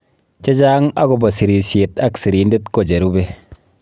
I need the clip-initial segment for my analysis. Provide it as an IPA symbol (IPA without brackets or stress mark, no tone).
t͡ʃ